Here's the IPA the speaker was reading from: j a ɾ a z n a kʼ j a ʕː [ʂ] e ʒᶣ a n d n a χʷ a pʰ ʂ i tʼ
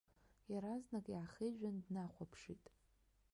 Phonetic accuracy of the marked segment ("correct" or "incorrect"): incorrect